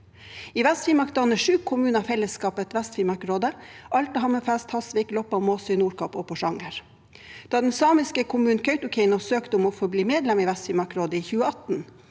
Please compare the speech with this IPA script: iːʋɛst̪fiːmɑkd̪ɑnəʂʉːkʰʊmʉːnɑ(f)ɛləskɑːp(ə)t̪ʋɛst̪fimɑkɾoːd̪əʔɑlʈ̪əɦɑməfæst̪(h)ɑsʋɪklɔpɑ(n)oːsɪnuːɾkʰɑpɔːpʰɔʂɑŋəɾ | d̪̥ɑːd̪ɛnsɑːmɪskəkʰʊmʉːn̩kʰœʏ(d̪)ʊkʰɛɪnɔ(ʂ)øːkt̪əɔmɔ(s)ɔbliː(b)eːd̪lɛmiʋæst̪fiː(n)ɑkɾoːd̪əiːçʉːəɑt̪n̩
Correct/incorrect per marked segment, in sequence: correct, correct, correct, incorrect, incorrect, incorrect, incorrect, incorrect, incorrect

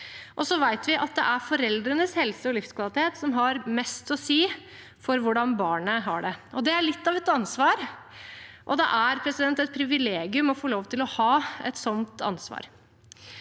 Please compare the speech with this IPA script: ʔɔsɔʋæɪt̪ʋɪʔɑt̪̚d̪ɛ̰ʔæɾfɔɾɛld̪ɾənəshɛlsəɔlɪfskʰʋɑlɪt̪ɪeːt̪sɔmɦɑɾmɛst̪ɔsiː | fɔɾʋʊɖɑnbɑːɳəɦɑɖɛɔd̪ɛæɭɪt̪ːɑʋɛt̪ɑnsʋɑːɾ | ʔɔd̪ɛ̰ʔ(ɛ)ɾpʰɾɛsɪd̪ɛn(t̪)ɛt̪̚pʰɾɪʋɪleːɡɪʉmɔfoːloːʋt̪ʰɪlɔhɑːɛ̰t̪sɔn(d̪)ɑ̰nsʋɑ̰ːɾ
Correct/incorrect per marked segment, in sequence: incorrect, correct, incorrect

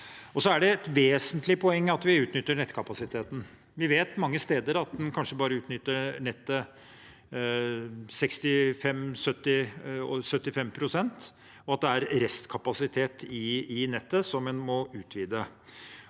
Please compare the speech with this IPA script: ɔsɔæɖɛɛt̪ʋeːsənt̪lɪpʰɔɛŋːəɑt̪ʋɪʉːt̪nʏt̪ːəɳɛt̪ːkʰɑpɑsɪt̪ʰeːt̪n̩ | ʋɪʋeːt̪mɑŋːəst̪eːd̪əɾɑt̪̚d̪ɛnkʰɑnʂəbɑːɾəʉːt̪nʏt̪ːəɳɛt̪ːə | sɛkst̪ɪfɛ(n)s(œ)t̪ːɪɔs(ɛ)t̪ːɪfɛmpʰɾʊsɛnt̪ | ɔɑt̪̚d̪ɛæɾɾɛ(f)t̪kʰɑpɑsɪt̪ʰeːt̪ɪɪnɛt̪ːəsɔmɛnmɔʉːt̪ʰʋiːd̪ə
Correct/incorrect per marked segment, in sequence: incorrect, correct, incorrect, incorrect

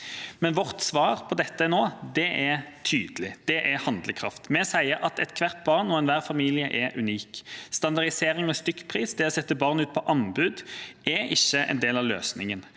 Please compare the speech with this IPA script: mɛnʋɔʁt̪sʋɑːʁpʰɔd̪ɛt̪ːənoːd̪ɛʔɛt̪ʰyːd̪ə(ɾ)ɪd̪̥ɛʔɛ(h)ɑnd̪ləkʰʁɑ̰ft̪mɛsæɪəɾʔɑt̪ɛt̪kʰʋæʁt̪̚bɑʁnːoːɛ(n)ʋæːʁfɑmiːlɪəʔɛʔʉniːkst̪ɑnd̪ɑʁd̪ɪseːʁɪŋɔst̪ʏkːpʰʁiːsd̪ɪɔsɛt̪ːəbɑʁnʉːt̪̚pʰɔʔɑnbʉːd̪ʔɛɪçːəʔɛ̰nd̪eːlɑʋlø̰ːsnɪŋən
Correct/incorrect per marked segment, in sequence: incorrect, correct, correct

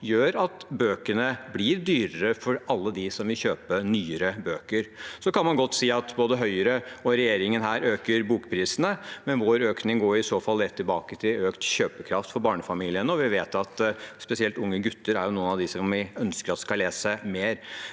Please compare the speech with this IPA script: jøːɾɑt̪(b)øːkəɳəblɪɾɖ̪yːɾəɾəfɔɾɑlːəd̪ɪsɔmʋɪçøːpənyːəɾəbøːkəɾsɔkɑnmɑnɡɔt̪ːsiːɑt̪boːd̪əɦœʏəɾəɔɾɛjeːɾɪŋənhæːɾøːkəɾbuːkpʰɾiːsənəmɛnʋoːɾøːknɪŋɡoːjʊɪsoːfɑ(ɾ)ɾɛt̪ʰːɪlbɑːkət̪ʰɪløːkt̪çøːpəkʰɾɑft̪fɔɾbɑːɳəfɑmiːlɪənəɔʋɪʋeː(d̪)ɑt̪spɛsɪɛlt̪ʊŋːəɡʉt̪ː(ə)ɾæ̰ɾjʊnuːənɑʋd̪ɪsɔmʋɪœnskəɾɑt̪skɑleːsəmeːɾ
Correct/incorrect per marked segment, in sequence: correct, incorrect, incorrect, correct

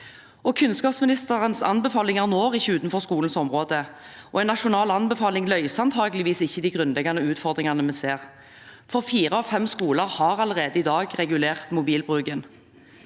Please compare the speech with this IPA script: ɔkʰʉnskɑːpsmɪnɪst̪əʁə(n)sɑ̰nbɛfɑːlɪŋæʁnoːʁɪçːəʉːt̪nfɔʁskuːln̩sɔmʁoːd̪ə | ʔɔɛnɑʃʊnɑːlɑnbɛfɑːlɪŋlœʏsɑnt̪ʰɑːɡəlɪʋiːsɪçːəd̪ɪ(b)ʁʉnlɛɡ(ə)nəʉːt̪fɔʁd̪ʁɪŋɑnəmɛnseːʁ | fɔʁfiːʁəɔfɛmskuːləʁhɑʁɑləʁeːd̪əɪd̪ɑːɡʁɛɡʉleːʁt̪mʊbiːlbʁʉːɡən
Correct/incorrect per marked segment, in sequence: correct, incorrect, incorrect

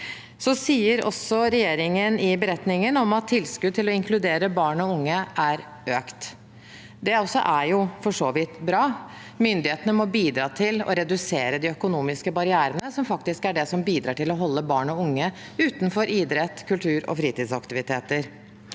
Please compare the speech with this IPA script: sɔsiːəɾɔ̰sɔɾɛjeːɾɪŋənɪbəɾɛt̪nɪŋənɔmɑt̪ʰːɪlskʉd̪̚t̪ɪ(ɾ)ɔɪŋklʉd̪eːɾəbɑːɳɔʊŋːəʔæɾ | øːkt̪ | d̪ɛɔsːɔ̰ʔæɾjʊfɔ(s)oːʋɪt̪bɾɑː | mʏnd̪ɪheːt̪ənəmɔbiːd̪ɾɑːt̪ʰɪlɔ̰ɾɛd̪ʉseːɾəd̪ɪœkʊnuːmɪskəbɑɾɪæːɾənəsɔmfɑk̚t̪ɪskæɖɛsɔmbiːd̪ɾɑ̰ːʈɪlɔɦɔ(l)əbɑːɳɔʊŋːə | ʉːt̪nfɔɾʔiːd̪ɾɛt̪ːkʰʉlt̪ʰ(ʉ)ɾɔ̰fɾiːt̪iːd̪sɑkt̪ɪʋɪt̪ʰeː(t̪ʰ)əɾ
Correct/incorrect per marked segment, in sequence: incorrect, incorrect, incorrect, incorrect, incorrect

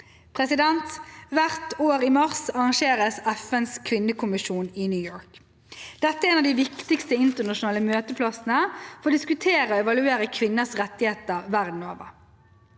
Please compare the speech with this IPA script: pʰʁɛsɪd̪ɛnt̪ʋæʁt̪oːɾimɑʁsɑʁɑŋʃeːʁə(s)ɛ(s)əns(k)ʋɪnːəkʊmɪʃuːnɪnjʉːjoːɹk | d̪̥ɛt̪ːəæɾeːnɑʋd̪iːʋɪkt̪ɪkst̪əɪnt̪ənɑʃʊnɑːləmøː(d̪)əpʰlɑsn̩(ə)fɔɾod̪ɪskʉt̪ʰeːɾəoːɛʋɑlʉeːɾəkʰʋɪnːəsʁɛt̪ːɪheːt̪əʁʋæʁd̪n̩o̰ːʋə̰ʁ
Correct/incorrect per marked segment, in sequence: correct, incorrect, incorrect, incorrect, correct

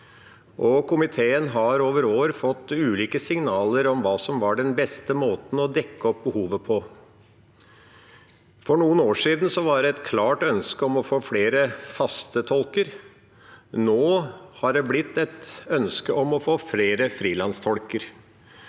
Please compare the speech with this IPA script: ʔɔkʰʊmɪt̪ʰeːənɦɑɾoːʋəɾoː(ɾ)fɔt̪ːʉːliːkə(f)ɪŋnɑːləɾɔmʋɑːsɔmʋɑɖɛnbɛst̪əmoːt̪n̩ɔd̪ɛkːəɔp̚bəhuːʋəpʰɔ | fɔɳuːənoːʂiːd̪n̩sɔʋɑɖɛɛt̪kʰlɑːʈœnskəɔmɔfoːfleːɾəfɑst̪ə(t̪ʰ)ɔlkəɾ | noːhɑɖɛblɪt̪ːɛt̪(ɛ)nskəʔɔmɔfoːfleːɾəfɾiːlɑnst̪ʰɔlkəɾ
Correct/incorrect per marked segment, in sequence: correct, incorrect, correct, incorrect

